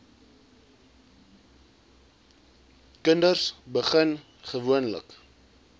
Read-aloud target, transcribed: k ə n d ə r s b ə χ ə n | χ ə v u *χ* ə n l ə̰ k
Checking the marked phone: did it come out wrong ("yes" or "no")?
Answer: yes